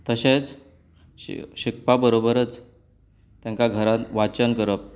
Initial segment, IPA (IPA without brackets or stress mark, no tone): t̪